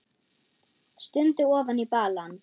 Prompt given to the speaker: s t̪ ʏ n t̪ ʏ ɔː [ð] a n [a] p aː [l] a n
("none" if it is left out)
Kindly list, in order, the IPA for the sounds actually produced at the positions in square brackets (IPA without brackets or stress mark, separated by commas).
v, i, l